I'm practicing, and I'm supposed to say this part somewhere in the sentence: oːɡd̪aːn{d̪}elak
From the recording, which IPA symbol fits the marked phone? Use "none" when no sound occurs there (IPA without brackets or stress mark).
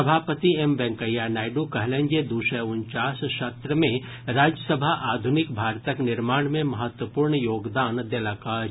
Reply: d̪